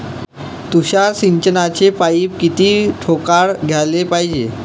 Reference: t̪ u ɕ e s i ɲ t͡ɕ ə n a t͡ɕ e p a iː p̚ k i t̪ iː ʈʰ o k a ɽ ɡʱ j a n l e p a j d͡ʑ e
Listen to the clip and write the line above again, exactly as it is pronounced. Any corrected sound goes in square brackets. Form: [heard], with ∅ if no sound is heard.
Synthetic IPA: t̪ u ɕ [a] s i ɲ t͡ɕ ə n a t͡ɕ e p a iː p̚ k i t̪ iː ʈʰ o k a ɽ ɡʱ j a [∅] l e p a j d͡ʑ e

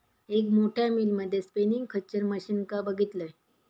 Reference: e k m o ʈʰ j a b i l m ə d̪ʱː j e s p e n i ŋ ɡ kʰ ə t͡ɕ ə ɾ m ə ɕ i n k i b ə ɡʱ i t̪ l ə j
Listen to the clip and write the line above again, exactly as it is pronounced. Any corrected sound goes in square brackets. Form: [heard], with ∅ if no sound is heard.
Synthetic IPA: e k m o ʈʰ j a [m] i l m ə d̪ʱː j e s p e n i ŋ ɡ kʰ ə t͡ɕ ə ɾ m ə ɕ i n k [a] b ə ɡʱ i t̪ l ə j

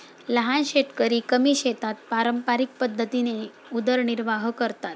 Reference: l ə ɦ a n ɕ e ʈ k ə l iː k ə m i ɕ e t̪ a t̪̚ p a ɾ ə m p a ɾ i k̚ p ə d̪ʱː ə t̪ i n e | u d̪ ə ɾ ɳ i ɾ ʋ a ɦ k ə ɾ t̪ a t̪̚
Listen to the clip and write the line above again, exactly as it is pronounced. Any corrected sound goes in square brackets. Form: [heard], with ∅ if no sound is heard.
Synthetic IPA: l ə ɦ a n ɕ e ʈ k ə [ɾ] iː k ə m i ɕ e t̪ a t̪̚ p a ɾ ə m p a ɾ i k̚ p ə d̪ʱː ə t̪ i n e | u d̪ ə ɾ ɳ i ɾ ʋ a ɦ k ə ɾ t̪ a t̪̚

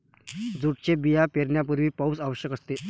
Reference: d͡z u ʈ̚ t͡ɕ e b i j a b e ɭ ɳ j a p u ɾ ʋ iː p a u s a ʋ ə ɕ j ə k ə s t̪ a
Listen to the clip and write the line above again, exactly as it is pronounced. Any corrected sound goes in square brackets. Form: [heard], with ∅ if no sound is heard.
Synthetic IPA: d͡z u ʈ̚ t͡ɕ e b i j a [p] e [ɾ] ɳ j a p u ɾ ʋ iː p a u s a ʋ ə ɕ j ə k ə s t̪ [e]

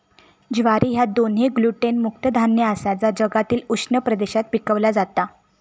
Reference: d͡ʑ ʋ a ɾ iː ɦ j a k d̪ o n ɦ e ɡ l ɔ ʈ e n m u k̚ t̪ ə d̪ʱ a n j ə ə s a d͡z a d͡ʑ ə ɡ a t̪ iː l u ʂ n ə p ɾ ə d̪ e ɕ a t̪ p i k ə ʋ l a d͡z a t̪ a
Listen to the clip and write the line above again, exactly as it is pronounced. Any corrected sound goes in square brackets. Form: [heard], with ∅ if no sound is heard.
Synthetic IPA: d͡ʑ ʋ a ɾ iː ɦ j a [∅] d̪ o n ɦ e ɡ l [u] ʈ e n m u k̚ t̪ ə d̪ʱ a n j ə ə s a d͡z a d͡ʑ ə ɡ a t̪ iː l u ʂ n ə p ɾ ə d̪ e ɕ a t̪ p i k ə ʋ l a d͡z a t̪ a

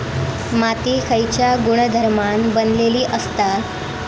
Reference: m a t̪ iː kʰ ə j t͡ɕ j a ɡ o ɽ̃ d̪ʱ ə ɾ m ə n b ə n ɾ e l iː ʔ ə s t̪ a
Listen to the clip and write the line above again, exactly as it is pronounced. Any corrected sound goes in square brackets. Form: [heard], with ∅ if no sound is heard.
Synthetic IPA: m a t̪ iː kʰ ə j t͡ɕ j a ɡ [u] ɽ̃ d̪ʱ ə ɾ m [a] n b ə n [l] e l iː ʔ ə s t̪ a

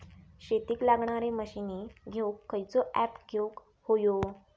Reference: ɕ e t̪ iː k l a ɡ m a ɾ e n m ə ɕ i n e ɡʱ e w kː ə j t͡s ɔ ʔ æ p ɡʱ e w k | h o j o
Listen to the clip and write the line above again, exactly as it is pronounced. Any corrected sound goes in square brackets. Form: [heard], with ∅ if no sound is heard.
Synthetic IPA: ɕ e t̪ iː k l a ɡ [ɳ] a ɾ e [∅] m ə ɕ i n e ɡʱ e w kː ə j t͡s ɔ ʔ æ p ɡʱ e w k | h o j o

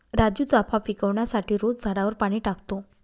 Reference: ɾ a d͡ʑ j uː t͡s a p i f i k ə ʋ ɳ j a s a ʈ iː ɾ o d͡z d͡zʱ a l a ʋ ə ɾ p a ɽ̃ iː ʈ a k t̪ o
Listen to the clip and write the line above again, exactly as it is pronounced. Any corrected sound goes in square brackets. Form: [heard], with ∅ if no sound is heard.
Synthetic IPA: ɾ a d͡ʑ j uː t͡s a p [a] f i k ə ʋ ɳ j a s a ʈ iː ɾ o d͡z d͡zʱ a [ɽ] a ʋ ə ɾ p a ɽ̃ iː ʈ a k t̪ o

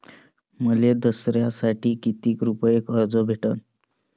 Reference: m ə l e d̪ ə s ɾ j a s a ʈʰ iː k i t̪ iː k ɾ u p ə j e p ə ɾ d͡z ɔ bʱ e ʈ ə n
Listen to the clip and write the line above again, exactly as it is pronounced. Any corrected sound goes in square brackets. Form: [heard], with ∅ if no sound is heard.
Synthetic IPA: m ə l e d̪ ə s ɾ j a s a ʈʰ iː k i t̪ iː k ɾ u p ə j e [k] ə ɾ d͡z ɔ bʱ e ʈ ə n

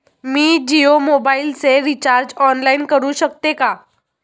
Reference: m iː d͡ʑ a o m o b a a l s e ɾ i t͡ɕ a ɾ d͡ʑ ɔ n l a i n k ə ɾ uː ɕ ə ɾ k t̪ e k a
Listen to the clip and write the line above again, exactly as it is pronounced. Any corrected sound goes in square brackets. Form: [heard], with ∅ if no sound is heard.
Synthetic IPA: m iː d͡ʑ [i] o m o b a [i] l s e ɾ i t͡ɕ a ɾ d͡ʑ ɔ n l a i n k ə ɾ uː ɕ ə [∅] k t̪ e k a

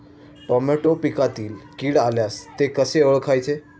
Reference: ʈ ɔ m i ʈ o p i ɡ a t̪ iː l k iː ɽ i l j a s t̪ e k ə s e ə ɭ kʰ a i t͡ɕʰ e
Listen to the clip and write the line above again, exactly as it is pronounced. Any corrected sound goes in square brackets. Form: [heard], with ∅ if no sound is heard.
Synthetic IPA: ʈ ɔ m [e] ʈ o p i [k] a t̪ iː l k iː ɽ [a] l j a s t̪ e k ə s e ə ɭ kʰ a [j] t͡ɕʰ e

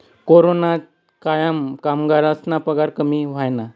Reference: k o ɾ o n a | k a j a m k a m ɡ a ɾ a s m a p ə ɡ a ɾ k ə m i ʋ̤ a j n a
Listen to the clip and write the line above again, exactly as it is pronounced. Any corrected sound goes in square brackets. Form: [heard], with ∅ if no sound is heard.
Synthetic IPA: k o ɾ o n a | k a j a m k a m ɡ a ɾ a s [n] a p ə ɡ a ɾ k ə m i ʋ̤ a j n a

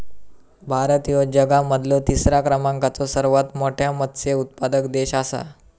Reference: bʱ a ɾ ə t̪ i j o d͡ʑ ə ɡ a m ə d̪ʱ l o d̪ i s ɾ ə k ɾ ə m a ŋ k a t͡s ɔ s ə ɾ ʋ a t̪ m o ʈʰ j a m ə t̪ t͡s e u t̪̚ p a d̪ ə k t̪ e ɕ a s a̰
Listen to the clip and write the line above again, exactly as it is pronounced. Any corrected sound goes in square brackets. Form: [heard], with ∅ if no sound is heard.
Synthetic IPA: bʱ a ɾ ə t̪ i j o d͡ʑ ə ɡ a m ə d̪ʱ l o [t̪] i s ɾ [a] k ɾ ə m a ŋ k a t͡s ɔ s ə ɾ ʋ a t̪ m o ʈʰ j a m ə t̪ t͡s e u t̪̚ p a d̪ ə k [d̪] e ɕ a s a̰

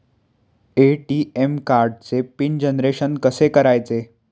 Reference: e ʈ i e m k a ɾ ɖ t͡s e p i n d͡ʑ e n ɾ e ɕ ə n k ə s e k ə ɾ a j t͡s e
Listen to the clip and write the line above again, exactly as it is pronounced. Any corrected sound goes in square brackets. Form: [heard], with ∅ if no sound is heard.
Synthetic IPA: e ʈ i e m k a ɾ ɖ t͡s e p i n d͡ʑ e n ɾ e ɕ ə n k ə s e k ə ɾ a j t͡s e

